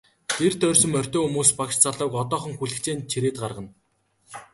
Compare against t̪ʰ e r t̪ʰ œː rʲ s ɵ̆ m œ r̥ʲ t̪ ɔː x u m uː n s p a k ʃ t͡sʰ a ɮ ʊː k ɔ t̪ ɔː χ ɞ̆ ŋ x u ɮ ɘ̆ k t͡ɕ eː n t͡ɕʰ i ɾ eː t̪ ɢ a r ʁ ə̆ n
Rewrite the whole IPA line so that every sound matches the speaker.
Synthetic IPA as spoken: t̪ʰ e r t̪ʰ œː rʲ s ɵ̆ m œ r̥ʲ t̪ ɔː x u m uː s p a k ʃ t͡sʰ a ɮ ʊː k ɔ t̪ ɔː χ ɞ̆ ŋ x u ɮ ɘ̆ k t͡ɕ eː n t͡ɕʰ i ɾ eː t̪ ɢ a r ʁ ə̆ n